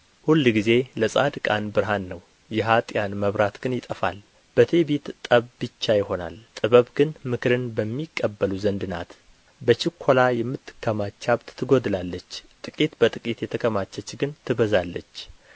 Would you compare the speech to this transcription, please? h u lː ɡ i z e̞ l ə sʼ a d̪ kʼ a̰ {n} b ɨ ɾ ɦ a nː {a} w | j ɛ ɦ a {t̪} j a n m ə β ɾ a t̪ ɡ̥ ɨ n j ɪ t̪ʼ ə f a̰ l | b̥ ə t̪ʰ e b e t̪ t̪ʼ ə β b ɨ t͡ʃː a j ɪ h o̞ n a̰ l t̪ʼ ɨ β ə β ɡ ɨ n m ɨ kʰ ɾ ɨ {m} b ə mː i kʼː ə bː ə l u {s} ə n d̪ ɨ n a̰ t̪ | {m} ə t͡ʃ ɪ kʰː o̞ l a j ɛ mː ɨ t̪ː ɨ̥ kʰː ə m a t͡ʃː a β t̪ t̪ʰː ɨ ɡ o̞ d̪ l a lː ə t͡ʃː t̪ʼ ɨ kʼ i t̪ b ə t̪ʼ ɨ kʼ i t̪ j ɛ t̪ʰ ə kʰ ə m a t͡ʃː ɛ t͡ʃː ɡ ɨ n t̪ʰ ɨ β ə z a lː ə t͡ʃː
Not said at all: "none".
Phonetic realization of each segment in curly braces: n, ə, t̪ʼ, n, z, b

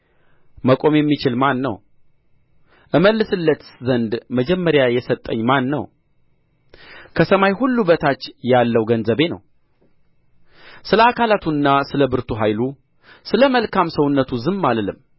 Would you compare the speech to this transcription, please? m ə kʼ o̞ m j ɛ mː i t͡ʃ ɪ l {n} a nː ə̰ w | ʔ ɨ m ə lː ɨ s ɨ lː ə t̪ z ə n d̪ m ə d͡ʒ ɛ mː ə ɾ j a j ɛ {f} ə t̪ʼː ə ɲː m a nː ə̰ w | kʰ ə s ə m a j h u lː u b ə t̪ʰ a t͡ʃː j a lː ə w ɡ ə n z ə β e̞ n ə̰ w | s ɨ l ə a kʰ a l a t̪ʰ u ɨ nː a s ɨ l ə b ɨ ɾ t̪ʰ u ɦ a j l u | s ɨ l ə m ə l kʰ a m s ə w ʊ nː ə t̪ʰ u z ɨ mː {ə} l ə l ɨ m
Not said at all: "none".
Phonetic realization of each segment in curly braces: m, s, a

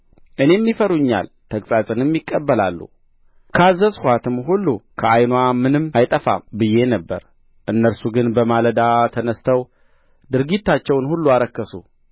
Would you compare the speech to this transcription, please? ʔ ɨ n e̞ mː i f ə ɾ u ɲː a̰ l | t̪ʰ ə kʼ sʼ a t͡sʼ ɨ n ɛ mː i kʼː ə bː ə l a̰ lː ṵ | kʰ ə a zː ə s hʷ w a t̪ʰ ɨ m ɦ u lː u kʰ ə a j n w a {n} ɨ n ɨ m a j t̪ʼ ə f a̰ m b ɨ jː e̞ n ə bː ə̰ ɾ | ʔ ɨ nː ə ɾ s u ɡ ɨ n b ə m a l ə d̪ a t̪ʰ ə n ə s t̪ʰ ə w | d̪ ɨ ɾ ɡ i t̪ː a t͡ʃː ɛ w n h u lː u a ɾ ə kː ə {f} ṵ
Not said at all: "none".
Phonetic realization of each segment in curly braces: m, s

